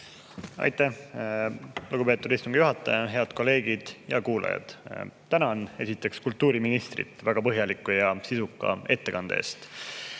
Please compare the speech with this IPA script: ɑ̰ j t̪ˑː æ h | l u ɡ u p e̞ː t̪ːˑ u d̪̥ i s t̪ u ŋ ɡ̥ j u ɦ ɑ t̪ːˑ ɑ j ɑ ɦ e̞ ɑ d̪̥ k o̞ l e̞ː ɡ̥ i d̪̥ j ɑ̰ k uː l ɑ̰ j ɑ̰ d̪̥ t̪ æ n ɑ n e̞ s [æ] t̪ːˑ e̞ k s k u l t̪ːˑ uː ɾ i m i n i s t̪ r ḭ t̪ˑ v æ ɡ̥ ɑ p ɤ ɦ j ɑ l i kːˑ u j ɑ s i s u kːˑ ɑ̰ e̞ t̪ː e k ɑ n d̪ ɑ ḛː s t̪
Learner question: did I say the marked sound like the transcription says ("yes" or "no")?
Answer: no